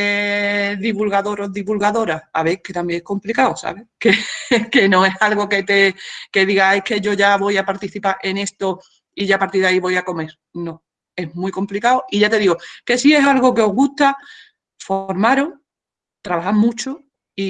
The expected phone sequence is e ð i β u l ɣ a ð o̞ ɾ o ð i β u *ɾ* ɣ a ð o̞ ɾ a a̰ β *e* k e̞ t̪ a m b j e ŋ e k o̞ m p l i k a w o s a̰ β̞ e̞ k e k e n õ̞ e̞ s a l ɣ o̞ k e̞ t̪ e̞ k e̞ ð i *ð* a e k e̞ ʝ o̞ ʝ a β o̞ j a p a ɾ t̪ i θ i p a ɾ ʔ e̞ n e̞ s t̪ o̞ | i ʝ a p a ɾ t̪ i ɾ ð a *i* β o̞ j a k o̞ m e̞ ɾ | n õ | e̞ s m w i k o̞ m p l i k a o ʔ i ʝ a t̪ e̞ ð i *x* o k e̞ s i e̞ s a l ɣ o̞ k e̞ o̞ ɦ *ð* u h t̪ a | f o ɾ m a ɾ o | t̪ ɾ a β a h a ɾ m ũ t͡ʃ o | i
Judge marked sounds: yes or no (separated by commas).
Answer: no, yes, no, yes, no, no